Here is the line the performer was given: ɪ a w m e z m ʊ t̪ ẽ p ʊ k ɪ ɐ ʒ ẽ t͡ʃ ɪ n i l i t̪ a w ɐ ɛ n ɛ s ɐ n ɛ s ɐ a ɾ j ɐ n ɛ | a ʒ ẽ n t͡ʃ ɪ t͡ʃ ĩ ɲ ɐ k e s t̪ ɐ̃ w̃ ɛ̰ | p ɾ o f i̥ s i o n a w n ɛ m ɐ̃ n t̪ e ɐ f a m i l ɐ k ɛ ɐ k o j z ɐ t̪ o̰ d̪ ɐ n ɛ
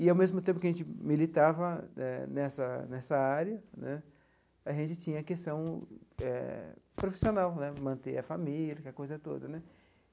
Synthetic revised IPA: ɪ a w m e z m ʊ t̪ ẽ p ʊ k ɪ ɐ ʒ ẽ t͡ʃ ɪ m i l i t̪ a v ɐ ɛ n ɛ s ɐ n ɛ s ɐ a ɾ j ɐ n ɛ | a ʒ ẽ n t͡ʃ ɪ t͡ʃ ĩ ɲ ɐ k e s t̪ ɐ̃ w̃ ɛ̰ | p ɾ o f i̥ s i o n a w n ɛ m ɐ̃ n t̪ e ɐ f a m i l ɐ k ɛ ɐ k o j z ɐ t̪ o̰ d̪ ɐ n ɛ

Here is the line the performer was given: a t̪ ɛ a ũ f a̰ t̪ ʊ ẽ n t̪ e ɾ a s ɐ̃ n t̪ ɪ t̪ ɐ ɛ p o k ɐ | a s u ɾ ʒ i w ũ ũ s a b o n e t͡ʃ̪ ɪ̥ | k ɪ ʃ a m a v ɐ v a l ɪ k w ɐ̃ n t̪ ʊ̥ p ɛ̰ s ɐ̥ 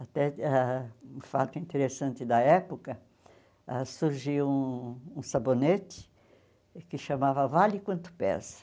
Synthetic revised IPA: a t̪ ɛ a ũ f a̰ t̪ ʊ ĩ n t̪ e ɾ e s ɐ̃ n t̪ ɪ d̪ ɐ ɛ p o k ɐ | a s u ɾ ʒ i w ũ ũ s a b o n e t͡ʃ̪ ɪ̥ | k ɪ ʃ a m a v ɐ v a l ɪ k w ɐ̃ n t̪ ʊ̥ p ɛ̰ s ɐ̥

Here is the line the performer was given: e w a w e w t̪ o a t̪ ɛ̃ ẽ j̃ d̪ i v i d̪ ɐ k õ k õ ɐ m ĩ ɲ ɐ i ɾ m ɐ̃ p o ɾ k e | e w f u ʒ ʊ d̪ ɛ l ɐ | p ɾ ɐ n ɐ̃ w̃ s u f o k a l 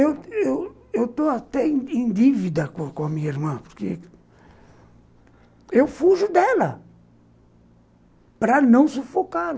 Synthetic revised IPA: e w e w e w t̪ o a t̪ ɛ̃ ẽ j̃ d̪ i v i d̪ ɐ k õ k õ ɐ m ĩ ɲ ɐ i ɾ m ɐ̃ p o ɾ k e | e w f u ʒ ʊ d̪ ɛ l ɐ | p ɾ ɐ n ɐ̃ w̃ s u f o k a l

